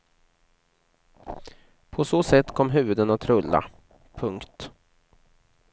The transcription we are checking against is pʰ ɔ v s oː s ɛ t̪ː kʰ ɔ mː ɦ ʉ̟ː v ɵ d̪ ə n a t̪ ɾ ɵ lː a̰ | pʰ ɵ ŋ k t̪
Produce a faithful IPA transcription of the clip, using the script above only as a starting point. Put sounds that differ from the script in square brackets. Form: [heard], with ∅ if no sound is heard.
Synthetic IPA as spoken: pʰ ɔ [∅] s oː s ɛ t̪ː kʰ ɔ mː ɦ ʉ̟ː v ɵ d̪ ə n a [t̪ʰ] ɾ ɵ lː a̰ | pʰ ɵ ŋ k t̪